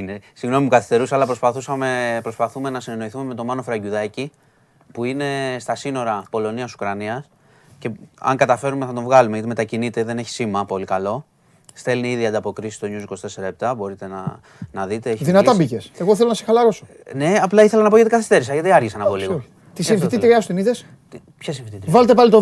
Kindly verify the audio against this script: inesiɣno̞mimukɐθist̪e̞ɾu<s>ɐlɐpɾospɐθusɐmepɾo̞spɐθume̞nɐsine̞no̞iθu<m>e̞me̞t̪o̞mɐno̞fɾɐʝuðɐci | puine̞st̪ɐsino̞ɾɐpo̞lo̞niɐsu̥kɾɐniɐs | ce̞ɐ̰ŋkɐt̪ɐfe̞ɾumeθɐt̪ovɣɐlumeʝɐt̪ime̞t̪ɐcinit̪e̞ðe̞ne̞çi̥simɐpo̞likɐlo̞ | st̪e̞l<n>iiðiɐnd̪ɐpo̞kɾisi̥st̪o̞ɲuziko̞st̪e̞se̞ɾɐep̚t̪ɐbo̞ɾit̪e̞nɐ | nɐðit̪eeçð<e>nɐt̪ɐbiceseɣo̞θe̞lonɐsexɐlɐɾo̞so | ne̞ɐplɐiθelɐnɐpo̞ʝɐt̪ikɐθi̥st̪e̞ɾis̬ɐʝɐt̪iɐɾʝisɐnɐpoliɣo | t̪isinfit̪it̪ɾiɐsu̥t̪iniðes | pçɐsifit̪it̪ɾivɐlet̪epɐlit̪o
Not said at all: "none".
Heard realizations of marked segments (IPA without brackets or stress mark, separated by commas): s, m, n, i